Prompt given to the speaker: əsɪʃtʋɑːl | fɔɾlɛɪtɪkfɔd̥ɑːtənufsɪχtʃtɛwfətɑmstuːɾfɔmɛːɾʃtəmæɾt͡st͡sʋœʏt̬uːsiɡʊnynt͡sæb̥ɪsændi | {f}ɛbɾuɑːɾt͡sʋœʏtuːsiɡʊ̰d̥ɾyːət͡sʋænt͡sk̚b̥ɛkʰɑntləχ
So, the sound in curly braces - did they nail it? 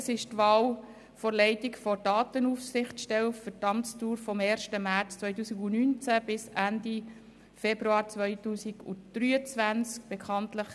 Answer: yes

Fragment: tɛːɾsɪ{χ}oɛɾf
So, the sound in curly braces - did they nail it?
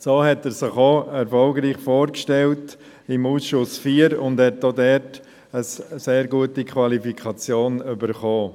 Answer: yes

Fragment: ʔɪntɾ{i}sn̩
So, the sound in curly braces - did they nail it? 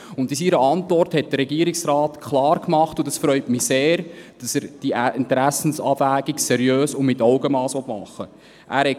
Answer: no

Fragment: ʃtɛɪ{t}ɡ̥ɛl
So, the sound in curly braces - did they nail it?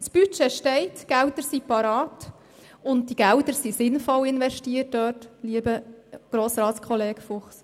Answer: yes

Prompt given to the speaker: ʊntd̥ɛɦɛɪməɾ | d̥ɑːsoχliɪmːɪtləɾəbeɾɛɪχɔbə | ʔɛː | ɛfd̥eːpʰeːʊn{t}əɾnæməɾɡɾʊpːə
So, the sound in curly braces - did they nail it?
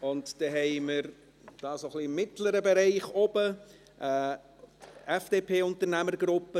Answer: yes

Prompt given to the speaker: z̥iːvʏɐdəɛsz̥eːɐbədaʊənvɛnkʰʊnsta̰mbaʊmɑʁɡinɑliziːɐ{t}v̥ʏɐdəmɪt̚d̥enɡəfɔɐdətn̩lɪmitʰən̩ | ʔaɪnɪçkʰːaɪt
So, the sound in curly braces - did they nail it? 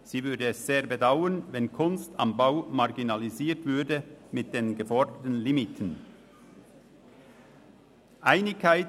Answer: yes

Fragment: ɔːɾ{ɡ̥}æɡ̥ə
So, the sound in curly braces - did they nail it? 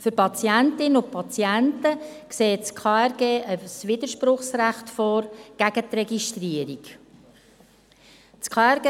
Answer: yes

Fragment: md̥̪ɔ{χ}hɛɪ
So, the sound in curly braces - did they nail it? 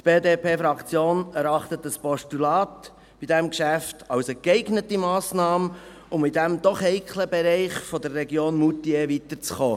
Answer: yes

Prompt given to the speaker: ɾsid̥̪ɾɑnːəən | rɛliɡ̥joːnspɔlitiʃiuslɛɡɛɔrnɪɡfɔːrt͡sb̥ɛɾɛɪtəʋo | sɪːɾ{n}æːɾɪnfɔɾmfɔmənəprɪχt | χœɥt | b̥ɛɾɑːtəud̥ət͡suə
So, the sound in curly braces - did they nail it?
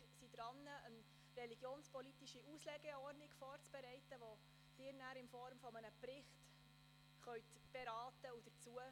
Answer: yes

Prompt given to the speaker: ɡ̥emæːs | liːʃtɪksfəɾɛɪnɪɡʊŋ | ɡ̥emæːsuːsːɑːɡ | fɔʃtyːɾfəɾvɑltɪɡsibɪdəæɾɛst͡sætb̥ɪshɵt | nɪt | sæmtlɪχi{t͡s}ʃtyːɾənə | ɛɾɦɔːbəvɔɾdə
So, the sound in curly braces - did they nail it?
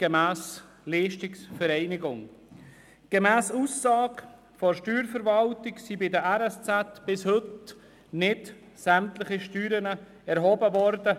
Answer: no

